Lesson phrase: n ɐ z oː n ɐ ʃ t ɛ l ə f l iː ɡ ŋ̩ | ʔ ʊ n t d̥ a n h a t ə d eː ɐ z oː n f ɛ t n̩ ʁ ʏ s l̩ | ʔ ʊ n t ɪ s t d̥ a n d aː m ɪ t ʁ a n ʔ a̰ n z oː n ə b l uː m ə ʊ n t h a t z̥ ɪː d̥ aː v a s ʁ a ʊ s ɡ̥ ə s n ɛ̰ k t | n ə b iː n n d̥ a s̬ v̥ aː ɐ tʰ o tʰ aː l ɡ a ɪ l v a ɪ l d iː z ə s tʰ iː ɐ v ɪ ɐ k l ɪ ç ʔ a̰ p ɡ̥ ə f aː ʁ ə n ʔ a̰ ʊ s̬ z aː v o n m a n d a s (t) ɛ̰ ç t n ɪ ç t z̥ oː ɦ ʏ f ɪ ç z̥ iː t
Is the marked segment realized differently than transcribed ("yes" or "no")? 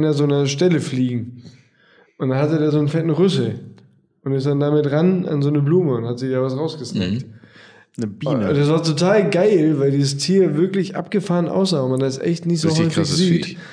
yes